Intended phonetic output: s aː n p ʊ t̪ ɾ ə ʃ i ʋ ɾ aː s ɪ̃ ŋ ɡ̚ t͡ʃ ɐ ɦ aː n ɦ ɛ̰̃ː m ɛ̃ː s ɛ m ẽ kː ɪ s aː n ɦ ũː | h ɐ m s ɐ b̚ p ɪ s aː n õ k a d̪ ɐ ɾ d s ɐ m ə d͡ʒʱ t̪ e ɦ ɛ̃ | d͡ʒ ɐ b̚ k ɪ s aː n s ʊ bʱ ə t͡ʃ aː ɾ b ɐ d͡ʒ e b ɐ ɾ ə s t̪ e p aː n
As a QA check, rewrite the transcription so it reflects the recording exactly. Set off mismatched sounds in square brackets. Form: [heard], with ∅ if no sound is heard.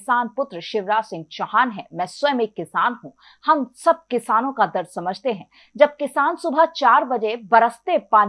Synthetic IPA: s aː n p ʊ t̪ ɾ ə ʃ [ɪ] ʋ ɾ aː s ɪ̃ ŋ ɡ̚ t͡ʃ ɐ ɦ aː n ɦ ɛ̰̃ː m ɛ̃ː s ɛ m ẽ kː ɪ s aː n ɦ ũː | h ɐ m s ɐ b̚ [k] ɪ s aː n õ k a d̪ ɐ ɾ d s ɐ m ə d͡ʒʱ t̪ e ɦ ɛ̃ | d͡ʒ ɐ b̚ k ɪ s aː n s ʊ bʱ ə t͡ʃ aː ɾ b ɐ d͡ʒ e b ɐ ɾ ə s t̪ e p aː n